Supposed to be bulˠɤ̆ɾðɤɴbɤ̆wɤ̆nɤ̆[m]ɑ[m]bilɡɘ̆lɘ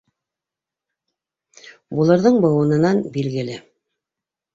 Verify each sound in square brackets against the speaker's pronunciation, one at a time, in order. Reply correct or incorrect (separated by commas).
incorrect, incorrect